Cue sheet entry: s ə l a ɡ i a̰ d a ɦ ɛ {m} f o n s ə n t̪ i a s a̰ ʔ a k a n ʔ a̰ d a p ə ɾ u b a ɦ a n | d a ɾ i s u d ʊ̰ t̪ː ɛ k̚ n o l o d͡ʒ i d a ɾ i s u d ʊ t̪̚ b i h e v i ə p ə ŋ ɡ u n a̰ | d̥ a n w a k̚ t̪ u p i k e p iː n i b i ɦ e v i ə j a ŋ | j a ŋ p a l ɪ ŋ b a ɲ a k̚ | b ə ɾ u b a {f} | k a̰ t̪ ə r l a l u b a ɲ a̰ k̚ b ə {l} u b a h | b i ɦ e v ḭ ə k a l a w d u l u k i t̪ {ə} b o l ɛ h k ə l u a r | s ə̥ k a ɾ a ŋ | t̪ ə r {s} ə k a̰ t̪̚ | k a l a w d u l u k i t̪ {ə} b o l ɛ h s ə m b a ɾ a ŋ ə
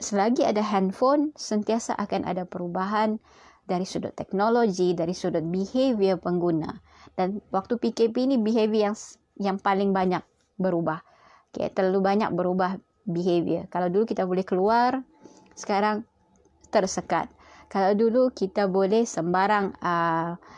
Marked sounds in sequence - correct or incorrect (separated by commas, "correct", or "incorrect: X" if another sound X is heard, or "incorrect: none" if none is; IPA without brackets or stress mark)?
incorrect: n, incorrect: h, incorrect: ɾ, incorrect: a, correct, incorrect: a